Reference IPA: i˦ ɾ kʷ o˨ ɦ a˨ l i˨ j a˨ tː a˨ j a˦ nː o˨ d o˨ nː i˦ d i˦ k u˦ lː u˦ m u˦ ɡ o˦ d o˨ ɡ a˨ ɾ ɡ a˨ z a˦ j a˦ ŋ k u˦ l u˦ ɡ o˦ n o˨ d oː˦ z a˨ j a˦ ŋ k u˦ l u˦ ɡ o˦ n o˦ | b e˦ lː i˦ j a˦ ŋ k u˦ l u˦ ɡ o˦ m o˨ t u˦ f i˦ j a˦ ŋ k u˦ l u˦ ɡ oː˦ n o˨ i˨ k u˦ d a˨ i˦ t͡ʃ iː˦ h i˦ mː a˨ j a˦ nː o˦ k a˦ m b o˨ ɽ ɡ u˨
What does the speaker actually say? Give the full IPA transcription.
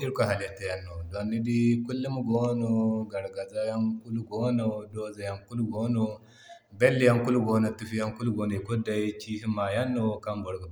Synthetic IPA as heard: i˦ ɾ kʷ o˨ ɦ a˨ l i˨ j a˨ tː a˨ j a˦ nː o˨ d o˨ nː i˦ d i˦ k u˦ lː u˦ m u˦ ɡ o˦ n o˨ ɡ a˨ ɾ ɡ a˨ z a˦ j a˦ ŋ k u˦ l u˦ ɡ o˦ n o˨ d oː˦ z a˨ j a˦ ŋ k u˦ l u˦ ɡ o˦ n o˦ | b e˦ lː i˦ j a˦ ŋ k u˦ l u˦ ɡ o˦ n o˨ t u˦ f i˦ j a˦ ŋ k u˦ l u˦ ɡ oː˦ n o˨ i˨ k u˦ d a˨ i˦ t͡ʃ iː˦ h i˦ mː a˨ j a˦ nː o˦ k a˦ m b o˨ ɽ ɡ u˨